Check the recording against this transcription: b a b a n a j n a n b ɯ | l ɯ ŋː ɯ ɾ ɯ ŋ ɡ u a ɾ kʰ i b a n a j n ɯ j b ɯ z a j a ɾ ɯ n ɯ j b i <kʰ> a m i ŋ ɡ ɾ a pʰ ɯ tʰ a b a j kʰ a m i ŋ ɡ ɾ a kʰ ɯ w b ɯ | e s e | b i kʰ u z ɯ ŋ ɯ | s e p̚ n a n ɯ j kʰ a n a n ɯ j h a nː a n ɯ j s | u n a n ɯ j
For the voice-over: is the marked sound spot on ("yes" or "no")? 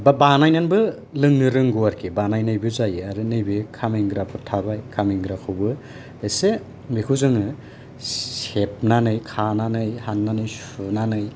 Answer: yes